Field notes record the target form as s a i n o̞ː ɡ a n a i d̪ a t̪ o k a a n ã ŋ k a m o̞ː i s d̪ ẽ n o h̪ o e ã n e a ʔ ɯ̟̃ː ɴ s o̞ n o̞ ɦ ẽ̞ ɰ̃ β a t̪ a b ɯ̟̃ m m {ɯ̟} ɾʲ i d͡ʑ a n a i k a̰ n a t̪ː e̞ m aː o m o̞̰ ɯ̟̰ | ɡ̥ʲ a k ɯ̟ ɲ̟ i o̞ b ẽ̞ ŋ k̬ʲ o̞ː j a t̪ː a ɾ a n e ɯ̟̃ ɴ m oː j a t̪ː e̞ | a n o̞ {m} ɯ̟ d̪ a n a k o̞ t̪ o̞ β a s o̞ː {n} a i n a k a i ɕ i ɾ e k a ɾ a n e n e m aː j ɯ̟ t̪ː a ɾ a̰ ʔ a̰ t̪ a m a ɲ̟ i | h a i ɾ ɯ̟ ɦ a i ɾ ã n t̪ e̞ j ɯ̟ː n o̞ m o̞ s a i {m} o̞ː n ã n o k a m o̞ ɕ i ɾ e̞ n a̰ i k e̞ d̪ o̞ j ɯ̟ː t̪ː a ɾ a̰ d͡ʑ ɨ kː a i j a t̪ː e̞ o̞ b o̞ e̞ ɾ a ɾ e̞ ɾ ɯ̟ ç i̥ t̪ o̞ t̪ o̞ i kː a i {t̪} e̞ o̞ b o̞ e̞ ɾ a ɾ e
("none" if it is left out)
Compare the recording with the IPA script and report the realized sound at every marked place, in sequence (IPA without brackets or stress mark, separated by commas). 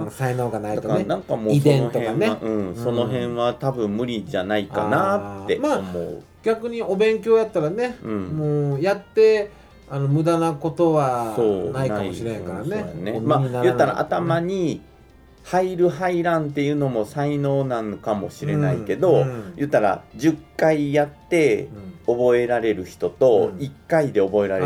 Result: ɯ̟, m, n, n, d̪